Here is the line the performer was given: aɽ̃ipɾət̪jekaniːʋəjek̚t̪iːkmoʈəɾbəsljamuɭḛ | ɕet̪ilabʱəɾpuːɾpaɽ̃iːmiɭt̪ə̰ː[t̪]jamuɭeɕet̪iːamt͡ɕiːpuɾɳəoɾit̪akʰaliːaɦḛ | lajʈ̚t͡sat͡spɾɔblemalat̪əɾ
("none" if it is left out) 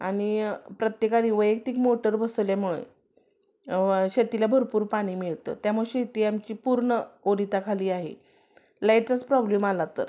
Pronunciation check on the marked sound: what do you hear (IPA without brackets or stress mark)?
t̪